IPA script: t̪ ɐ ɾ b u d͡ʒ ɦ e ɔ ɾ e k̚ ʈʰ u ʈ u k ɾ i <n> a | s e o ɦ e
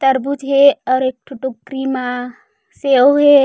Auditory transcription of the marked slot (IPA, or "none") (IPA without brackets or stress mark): m